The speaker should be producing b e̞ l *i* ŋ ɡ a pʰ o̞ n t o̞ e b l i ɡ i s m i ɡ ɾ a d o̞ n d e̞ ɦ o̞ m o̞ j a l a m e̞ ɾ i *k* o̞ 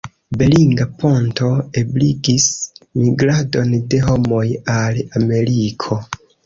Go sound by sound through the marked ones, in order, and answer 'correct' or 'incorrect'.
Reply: correct, incorrect: kʰ

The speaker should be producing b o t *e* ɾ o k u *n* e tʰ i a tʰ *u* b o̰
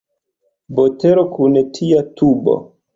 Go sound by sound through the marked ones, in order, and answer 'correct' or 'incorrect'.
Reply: correct, correct, correct

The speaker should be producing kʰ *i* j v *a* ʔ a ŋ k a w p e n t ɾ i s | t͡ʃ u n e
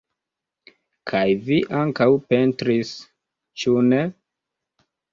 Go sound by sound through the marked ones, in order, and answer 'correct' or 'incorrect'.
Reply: incorrect: a, incorrect: i

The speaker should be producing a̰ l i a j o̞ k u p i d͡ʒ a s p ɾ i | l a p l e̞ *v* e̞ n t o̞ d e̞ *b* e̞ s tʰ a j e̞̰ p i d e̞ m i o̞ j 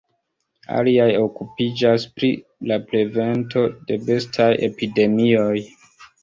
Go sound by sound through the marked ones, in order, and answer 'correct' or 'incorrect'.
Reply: correct, correct

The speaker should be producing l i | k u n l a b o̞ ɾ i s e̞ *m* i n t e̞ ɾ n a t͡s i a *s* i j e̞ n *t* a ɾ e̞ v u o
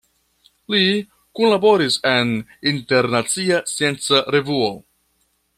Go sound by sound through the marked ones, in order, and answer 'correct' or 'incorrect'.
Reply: incorrect: n, correct, incorrect: t͡s

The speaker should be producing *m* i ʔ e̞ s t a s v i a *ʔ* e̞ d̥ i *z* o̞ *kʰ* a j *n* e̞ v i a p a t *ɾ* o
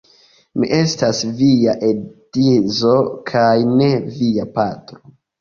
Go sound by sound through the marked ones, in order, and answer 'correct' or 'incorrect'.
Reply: correct, correct, correct, correct, correct, correct

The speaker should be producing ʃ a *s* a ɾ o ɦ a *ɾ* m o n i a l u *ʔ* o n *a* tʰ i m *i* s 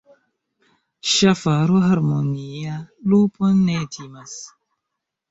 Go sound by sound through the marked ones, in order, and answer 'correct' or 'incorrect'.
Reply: incorrect: f, correct, incorrect: p, incorrect: e, incorrect: a

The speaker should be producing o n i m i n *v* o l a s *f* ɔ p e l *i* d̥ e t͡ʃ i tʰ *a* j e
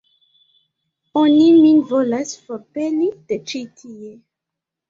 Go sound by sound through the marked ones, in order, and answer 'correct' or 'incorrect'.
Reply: correct, correct, correct, incorrect: i

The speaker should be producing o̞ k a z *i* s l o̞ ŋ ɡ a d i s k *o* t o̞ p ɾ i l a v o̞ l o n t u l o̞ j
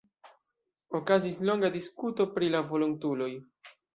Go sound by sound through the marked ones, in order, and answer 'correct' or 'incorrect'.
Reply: correct, incorrect: u

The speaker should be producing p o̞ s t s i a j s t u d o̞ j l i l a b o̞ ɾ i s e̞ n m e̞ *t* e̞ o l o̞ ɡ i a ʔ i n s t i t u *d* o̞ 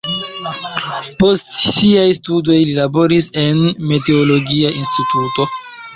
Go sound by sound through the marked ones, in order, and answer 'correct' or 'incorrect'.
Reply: correct, incorrect: t

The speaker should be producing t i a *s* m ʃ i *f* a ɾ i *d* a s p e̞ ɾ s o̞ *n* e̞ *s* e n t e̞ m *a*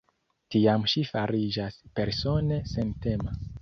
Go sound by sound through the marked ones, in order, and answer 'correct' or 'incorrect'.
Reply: incorrect: none, correct, incorrect: d͡ʒ, correct, correct, correct

